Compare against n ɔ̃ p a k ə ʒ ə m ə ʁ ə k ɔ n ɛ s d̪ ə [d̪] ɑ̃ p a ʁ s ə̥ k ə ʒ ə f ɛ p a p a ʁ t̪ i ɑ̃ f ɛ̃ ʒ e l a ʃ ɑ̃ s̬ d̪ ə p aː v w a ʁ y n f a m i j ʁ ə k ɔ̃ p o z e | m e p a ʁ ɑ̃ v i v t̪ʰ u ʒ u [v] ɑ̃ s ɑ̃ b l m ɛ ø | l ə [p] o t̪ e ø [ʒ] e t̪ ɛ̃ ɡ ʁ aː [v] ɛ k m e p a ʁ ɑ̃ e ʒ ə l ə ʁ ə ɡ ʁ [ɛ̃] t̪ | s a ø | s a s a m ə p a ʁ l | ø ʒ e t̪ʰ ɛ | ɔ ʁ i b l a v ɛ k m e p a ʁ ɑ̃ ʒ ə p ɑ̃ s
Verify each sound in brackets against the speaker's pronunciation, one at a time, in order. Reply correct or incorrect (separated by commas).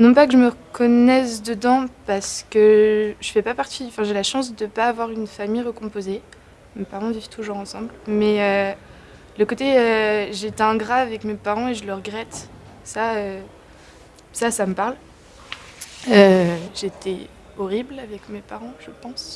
correct, incorrect, incorrect, correct, correct, incorrect